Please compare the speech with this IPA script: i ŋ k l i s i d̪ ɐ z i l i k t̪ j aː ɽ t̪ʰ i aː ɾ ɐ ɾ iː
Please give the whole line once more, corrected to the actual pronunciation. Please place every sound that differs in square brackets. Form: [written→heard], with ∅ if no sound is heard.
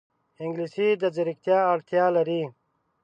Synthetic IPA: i ŋ [k→ɡ] l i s i d̪ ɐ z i [l→ɾ] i k t̪ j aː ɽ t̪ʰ [i→j] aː [ɾ→l] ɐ ɾ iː

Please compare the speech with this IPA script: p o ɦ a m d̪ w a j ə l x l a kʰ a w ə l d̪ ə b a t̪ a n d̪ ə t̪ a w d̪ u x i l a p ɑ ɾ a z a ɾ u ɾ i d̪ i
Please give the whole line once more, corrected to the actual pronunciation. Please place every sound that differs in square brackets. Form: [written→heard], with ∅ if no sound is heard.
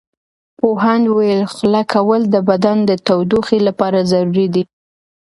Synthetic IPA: p o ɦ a [m→n] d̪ w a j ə l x l a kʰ a w ə l d̪ ə b a [t̪→d̪] a n d̪ ə t̪ a w d̪ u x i l a p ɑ ɾ a z a ɾ u ɾ i d̪ i

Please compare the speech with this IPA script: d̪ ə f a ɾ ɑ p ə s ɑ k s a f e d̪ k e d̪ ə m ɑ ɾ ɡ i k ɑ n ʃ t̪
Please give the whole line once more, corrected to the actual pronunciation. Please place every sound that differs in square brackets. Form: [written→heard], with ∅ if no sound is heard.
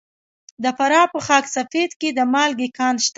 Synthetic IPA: d̪ ə f a ɾ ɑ p ə [s→x] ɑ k s a f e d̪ k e d̪ ə m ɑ [ɾ→l] ɡ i k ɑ n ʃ t̪

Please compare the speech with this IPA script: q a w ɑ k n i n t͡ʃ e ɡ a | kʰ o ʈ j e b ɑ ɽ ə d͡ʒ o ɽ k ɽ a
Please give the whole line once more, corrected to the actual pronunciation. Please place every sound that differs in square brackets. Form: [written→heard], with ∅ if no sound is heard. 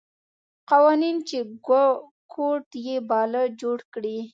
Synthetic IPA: q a w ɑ [k→∅] n i n t͡ʃ e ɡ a | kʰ o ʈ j e b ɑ [ɽ→l] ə d͡ʒ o ɽ k ɽ [a→i]

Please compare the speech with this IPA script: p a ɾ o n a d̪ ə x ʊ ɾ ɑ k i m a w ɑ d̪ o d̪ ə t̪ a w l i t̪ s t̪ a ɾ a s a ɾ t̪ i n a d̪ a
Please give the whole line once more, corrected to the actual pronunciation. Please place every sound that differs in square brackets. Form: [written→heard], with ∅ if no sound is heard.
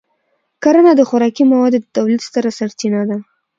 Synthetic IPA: [p→k] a ɾ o n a d̪ ə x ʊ ɾ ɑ k i m a w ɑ d̪ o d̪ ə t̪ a w l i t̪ s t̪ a ɾ a s a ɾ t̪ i n a d̪ a

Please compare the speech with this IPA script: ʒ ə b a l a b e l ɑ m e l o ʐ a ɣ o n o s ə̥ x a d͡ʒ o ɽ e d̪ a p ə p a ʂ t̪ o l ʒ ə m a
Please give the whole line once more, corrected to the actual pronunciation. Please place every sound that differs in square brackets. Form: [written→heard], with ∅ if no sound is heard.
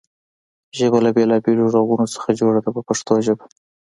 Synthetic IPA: ʒ ə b a l a b e l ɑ [m→b] e l o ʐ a ɣ [o→u] n o s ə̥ x a d͡ʒ o ɽ [e→a] d̪ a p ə p a ʂ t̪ o [l→∅] ʒ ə [m→b] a

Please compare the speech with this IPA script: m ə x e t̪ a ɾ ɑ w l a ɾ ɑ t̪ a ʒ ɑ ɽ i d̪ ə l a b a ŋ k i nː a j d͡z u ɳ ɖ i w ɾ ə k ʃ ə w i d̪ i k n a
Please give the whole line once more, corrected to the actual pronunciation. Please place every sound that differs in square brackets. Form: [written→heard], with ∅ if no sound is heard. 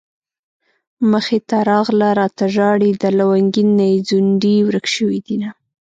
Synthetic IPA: m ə x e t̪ a ɾ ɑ [w→ɣ] l a ɾ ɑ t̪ a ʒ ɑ ɽ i d̪ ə l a [b→w] a ŋ [k→ɡ] i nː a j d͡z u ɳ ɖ i w ɾ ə k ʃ ə w i d̪ i [k→∅] n a

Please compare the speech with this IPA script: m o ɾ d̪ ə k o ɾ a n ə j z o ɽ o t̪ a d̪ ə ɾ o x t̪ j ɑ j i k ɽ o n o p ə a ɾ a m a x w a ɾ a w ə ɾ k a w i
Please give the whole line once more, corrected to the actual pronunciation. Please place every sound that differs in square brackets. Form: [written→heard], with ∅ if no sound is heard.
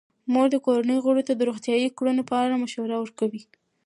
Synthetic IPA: m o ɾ d̪ ə k o ɾ a n ə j [z→ɣ] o ɽ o t̪ a d̪ ə ɾ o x t̪ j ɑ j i k ɽ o n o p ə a ɾ a m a [x→ʃ] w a ɾ a w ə ɾ k a w i

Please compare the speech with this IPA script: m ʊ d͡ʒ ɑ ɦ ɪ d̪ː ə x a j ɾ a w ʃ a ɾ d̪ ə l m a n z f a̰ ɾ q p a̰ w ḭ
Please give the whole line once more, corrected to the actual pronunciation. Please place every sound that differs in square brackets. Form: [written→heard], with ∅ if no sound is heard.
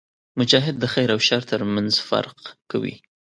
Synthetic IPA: m ʊ d͡ʒ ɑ ɦ ɪ d̪ː ə x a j ɾ a w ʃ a ɾ [d̪→t̪] ə [l→ɾ] m a n z f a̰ ɾ q [p→k] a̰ w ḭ

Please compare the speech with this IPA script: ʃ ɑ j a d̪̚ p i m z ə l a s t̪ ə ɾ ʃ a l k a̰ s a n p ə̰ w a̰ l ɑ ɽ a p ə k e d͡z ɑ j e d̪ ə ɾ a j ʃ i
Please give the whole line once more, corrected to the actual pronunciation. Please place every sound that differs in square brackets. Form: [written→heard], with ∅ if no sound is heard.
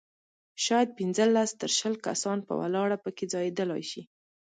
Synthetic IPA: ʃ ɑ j a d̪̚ p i [m→n] z ə l a s t̪ ə ɾ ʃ [a→ə] l k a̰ s [a→ɑ] n p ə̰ w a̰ l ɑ ɽ a p ə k e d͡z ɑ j e d̪ ə [ɾ→l] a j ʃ i

